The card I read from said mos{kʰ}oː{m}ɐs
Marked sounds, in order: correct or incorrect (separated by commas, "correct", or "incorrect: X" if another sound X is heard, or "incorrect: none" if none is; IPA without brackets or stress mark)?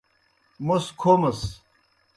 correct, correct